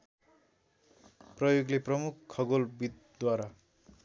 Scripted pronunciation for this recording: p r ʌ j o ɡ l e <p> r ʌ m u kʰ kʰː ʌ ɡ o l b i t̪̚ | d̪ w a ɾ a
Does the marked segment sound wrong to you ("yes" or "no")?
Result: no